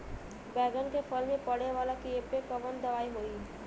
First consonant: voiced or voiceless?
voiced